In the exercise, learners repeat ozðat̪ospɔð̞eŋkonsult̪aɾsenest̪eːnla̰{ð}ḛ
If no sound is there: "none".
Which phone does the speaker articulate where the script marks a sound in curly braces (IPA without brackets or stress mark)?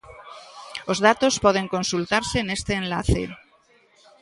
θ